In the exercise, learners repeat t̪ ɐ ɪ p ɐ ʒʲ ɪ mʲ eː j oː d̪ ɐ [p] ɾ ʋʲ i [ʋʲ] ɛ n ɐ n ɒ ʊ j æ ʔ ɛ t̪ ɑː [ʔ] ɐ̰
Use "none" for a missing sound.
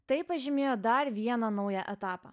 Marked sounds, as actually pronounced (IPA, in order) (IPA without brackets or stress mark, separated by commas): none, none, p